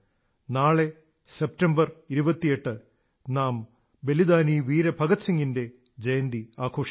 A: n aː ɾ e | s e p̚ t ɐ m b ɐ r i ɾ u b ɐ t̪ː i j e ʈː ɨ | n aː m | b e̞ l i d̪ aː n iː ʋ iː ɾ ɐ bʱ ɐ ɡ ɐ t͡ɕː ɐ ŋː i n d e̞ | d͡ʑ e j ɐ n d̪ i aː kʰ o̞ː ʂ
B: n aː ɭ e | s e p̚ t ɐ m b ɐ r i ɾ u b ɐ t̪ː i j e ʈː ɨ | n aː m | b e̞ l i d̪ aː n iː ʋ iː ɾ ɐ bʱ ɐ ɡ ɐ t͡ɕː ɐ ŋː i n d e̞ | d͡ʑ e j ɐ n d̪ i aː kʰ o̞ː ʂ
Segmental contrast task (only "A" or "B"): B